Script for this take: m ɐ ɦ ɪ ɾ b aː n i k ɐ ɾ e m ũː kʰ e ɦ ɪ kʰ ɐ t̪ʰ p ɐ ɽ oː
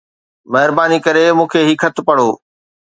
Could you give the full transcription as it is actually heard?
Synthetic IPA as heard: m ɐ ɦ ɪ ɾ b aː n i k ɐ ɾ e m ũː kʰ e ɦ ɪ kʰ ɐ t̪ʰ p ɐ ɽ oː